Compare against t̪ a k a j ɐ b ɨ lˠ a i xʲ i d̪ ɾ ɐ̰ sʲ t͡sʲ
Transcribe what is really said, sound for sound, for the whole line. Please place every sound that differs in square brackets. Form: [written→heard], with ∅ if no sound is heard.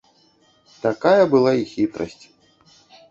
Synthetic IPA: t̪ a k a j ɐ b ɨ lˠ a i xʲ i [d̪→t̪] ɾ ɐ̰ sʲ t͡sʲ